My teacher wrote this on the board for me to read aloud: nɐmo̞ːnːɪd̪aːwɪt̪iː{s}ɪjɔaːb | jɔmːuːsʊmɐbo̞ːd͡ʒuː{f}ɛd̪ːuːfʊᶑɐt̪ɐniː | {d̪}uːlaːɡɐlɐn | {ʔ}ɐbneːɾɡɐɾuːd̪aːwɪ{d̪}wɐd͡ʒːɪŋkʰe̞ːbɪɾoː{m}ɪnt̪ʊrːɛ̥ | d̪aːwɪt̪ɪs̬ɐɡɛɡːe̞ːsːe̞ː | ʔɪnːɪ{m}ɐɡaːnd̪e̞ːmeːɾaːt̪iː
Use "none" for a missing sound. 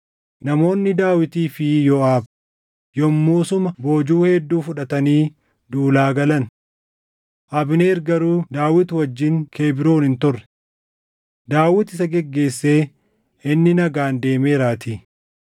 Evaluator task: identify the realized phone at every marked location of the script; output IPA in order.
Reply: f, h, d̪, ʔ, t̪, n, n

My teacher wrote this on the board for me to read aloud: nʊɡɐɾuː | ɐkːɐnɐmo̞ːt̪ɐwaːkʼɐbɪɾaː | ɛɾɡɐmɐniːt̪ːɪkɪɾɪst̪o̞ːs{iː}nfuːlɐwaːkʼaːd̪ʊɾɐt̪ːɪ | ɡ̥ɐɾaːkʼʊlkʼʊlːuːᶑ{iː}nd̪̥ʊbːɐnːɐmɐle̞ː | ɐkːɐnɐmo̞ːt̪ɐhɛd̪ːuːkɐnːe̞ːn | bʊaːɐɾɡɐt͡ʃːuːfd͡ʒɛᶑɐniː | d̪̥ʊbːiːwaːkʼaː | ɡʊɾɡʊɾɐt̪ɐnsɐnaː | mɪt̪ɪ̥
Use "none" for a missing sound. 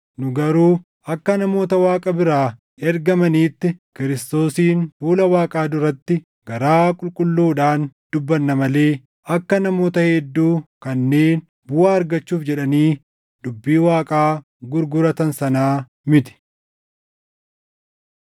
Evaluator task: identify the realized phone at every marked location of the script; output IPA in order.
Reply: iː, aː

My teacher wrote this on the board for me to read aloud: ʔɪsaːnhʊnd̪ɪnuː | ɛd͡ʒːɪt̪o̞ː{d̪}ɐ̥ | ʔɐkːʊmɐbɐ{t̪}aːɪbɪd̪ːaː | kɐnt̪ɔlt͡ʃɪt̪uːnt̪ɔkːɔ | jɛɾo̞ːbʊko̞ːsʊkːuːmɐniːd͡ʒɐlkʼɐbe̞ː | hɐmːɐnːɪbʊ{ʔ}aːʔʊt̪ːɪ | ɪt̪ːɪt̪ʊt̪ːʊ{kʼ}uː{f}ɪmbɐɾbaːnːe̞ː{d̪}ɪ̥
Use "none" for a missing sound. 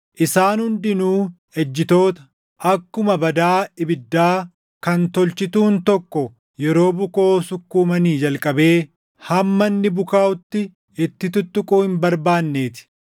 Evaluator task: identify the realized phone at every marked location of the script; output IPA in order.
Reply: t̪, d̪, k, kʼ, h, t̪

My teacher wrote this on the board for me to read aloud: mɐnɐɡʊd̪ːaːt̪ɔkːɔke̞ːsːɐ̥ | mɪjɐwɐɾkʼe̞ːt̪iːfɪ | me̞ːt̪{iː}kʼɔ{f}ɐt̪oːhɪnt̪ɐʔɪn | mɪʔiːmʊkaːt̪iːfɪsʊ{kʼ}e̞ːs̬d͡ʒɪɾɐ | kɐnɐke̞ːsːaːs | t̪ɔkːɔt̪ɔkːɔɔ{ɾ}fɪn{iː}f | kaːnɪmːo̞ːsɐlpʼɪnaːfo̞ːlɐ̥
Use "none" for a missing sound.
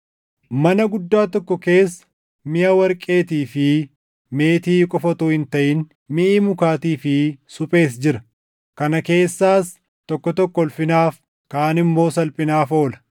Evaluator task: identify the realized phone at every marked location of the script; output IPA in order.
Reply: iː, f, pʼ, l, aː

